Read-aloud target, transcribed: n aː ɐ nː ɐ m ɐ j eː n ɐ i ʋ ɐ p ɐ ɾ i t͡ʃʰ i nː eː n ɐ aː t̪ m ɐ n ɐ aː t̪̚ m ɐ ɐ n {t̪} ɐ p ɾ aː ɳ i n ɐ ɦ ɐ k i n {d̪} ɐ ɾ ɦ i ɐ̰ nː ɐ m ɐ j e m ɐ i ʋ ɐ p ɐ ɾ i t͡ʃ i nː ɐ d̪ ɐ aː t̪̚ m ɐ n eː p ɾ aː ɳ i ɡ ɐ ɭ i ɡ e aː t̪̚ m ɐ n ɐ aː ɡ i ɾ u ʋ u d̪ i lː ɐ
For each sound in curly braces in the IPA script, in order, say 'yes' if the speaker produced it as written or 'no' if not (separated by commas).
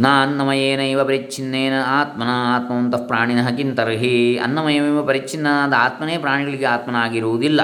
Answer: yes, no